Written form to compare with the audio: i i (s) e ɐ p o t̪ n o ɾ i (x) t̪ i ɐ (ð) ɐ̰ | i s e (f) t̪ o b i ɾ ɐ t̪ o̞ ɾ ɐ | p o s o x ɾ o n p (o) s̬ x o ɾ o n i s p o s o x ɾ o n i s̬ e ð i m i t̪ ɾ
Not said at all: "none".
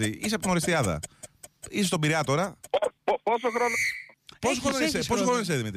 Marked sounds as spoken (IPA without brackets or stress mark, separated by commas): s, s, ð, s, o